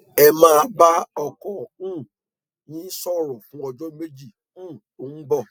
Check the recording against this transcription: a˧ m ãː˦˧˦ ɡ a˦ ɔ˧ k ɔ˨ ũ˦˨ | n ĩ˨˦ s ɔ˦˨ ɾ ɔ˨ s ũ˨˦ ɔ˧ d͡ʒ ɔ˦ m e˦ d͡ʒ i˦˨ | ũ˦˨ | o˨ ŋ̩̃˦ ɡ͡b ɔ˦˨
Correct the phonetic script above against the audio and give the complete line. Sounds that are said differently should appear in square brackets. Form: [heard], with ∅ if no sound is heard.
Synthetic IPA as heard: [ɛ˧] m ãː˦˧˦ [b] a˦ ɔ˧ k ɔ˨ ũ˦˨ | n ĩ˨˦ s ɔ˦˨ ɾ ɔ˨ [f] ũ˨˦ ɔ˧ d͡ʒ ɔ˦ m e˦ d͡ʒ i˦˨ | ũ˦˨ | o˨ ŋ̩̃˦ ɡ͡b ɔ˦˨